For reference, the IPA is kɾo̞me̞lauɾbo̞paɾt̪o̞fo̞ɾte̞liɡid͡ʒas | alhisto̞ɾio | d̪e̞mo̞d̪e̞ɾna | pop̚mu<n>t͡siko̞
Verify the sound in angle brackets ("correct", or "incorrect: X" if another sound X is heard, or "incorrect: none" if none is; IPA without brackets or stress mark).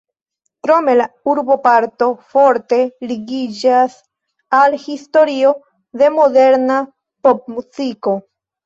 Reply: incorrect: none